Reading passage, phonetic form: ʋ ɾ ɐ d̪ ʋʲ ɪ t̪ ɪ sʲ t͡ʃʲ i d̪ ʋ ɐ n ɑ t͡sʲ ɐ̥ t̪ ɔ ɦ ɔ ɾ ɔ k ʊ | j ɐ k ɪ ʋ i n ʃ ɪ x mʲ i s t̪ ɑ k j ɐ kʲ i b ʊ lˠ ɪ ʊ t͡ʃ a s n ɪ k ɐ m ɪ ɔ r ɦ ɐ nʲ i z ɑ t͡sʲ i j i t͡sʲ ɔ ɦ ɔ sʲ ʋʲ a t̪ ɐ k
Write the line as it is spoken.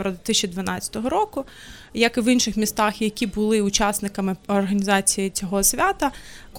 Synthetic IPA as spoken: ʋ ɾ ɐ d̪ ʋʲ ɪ t̪ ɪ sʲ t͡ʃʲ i d̪ ʋ ɐ n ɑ t͡sʲ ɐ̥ t̪ ɔ ɦ ɔ ɾ ɔ k ʊ | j ɐ k ɪ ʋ i n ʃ ɪ x mʲ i s t̪ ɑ x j ɐ kʲ i b ʊ lˠ ɪ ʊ t͡ʃ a s n ɪ k ɐ m ɪ ɔ r ɦ ɐ nʲ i z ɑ t͡sʲ i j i t͡sʲ ɔ ɦ ɔ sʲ ʋʲ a t̪ ɐ k